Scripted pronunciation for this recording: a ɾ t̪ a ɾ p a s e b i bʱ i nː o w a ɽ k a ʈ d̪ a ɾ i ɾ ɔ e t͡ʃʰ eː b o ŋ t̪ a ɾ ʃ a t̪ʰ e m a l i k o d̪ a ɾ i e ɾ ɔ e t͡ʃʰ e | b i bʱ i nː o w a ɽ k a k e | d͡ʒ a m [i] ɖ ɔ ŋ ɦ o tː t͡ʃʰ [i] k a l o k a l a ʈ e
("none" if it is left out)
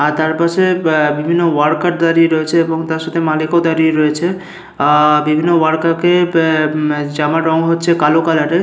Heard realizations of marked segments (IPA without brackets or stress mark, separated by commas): a, e